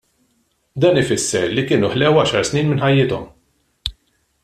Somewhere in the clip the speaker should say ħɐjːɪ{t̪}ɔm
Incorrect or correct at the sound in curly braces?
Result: correct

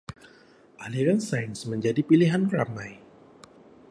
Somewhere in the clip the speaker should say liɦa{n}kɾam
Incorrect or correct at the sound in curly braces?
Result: correct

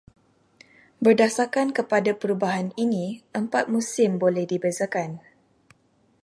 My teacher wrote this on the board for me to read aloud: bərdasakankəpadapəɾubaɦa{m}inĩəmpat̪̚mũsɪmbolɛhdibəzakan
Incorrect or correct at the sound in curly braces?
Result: incorrect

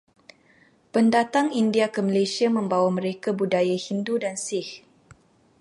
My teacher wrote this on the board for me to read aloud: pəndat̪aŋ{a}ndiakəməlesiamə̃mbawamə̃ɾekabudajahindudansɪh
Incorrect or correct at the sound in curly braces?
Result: incorrect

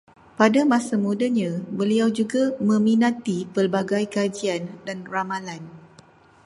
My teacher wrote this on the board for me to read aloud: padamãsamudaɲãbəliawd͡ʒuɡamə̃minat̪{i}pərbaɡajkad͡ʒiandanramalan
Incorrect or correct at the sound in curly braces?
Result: correct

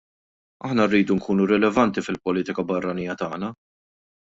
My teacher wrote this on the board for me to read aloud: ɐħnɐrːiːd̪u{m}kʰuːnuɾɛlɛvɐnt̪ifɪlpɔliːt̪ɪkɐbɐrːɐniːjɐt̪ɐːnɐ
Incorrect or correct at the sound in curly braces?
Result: incorrect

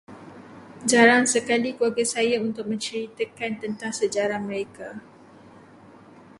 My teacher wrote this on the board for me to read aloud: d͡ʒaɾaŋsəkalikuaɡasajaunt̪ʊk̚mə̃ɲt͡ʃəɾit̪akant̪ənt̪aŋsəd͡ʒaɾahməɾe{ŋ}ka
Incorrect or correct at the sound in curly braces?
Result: incorrect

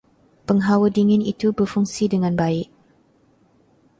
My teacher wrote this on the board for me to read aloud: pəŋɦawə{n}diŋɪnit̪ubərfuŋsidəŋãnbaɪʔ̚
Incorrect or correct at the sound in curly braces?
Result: incorrect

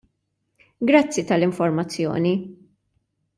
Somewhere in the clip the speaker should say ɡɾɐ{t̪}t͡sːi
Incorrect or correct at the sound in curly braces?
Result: incorrect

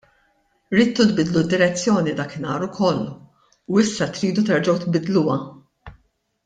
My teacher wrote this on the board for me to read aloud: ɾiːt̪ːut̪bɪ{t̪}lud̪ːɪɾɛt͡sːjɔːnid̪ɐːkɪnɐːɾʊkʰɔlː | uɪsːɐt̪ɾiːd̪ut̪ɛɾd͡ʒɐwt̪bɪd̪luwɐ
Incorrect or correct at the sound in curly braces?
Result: incorrect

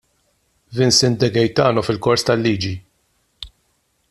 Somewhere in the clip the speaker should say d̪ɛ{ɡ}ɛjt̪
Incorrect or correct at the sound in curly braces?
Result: correct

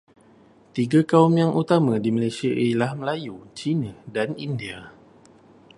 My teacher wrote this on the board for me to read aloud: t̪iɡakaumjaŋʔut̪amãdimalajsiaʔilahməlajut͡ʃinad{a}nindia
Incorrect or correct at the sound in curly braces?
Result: correct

